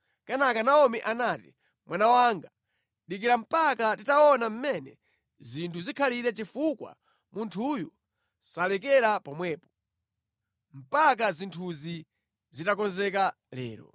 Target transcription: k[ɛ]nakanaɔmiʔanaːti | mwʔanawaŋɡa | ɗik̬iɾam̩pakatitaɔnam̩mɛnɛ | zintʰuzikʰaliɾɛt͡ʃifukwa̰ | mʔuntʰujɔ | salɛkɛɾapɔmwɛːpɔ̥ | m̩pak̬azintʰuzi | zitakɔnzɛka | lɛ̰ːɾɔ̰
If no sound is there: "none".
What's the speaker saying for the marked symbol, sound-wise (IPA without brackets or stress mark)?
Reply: a